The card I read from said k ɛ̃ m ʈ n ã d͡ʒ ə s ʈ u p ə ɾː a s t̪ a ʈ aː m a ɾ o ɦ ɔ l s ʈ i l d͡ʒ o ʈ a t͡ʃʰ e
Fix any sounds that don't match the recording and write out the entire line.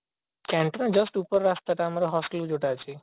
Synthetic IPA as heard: k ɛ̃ ɳ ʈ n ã d͡ʒ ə s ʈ u p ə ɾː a s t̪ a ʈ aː m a ɾ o ɦ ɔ s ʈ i l d͡ʒ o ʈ a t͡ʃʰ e